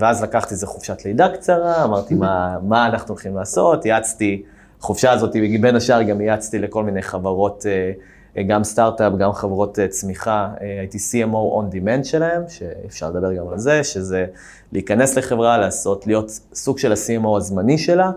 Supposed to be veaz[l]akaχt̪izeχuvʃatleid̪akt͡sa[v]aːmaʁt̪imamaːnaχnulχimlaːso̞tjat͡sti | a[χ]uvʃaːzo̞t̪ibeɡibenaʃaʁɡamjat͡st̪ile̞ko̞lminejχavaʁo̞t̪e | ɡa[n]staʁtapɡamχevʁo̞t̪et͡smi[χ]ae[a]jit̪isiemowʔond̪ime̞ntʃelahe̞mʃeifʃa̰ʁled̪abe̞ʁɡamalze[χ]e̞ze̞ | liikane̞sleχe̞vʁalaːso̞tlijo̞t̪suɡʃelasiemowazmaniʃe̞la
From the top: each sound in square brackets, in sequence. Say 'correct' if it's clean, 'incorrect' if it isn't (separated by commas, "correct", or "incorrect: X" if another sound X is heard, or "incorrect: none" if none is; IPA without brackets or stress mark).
correct, incorrect: ʁ, correct, incorrect: m, correct, correct, incorrect: ʃ